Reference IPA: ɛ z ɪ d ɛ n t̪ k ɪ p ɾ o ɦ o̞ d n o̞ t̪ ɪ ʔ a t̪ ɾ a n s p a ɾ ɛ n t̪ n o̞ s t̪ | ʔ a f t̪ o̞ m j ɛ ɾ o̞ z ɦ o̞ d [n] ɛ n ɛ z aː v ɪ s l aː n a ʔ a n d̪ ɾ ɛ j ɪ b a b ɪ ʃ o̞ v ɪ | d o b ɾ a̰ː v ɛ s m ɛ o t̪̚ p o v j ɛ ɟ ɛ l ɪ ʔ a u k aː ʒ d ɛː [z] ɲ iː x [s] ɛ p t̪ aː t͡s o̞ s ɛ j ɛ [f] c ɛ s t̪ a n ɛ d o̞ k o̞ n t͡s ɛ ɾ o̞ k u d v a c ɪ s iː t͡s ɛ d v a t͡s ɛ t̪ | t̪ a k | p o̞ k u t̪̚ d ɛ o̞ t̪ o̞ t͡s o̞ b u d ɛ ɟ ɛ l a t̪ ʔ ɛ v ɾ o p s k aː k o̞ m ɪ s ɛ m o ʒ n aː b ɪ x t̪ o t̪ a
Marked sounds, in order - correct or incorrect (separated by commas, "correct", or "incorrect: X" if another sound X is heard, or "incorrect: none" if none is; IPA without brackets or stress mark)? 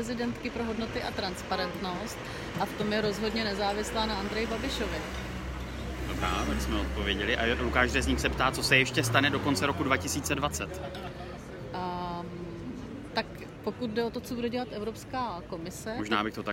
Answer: incorrect: ɲ, correct, correct, incorrect: ʃ